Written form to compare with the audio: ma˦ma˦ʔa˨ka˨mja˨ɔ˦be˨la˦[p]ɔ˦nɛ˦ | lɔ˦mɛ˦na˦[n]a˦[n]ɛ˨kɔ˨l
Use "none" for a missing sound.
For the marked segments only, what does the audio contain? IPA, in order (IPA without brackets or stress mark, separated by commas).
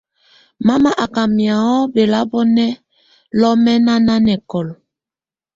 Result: b, n, n